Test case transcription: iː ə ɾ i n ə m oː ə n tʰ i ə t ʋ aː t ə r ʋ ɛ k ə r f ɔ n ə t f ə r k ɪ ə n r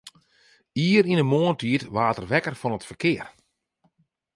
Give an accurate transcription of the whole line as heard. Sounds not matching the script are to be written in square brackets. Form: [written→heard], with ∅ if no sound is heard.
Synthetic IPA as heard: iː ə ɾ i n ə m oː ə n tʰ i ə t ʋ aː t ə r ʋ ɛ k ə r f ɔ n ə t f ə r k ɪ ə [n→∅] r